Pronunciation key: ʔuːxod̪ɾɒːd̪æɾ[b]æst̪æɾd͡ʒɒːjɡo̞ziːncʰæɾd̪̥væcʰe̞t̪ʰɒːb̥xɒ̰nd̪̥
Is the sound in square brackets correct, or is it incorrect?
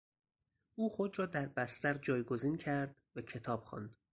correct